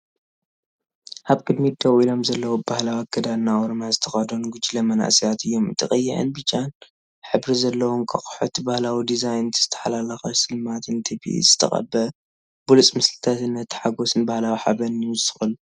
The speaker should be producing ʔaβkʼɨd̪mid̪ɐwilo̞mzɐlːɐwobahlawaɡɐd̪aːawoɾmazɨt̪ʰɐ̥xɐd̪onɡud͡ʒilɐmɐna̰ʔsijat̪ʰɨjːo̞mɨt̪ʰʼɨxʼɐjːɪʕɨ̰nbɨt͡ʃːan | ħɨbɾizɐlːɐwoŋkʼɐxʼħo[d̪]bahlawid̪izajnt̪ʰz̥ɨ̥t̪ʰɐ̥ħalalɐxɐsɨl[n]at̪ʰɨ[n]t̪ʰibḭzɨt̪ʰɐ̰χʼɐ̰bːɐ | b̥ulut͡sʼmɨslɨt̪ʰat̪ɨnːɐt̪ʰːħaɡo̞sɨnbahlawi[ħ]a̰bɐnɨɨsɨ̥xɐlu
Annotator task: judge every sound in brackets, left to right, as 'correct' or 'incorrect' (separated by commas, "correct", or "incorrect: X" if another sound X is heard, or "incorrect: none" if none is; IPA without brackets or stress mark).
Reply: incorrect: t̪, incorrect: m, correct, correct